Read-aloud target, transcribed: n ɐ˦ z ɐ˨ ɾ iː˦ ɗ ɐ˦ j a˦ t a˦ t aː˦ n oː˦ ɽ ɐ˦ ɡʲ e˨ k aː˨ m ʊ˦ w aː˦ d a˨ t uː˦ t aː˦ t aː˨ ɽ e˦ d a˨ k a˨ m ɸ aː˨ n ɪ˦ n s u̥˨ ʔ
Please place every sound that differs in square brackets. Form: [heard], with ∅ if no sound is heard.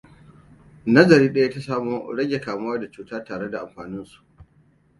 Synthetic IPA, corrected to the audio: n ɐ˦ z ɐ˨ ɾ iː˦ ɗ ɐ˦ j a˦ t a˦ [s] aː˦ [m] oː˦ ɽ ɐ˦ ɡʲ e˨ k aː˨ m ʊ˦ w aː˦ d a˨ [t͡ʃ] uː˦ t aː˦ t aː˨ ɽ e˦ d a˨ [ʔ] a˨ m ɸ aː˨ n ɪ˦ n s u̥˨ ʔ